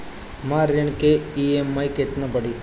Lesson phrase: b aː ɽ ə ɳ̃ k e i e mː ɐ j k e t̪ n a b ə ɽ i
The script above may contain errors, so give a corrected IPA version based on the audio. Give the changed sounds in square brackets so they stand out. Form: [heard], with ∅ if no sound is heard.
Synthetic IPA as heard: [m] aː [ɾ] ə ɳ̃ k e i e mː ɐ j k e t̪ n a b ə ɽ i